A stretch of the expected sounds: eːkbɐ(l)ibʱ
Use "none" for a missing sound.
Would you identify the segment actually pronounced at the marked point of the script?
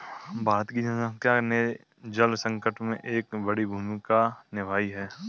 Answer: ɽ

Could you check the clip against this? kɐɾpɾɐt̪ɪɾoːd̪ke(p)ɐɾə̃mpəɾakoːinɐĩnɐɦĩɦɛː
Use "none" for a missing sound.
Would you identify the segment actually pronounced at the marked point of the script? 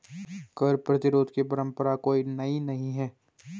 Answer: p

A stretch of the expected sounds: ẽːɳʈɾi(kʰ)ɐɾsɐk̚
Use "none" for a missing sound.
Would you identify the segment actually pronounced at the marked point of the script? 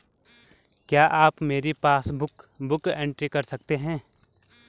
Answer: k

